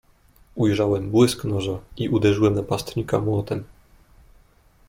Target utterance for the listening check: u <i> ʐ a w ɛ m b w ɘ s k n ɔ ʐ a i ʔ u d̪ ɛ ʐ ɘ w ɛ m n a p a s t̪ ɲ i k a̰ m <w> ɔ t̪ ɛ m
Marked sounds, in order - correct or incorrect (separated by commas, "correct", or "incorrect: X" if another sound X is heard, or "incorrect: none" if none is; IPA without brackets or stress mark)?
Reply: incorrect: j, correct